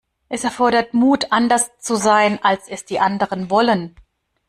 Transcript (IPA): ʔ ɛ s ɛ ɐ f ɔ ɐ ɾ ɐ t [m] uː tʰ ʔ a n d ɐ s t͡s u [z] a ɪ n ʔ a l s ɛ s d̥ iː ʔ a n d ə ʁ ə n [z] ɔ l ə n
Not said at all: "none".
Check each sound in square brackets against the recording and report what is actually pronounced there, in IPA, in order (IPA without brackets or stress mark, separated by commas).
m, z, v